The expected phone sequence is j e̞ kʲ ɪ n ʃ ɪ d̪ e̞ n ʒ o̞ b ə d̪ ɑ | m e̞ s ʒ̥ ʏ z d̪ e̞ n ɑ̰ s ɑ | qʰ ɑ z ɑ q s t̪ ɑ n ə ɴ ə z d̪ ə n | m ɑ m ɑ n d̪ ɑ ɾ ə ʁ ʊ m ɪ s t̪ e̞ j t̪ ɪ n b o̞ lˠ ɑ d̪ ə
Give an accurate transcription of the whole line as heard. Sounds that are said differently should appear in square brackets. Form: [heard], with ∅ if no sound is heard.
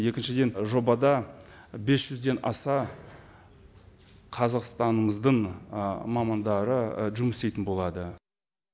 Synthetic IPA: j e̞ kʲ ɪ n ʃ ɪ d̪ e̞ n ʒ o̞ b [ɑ] d̪ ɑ | [b] e̞ s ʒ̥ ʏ z d̪ e̞ n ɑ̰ s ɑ | qʰ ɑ z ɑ q s t̪ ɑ n ə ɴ ə z d̪ ə [ɴ] | m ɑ m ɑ n d̪ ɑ ɾ ə [ʒ] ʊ m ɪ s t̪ e̞ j t̪ ɪ n b o̞ lˠ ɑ d̪ ə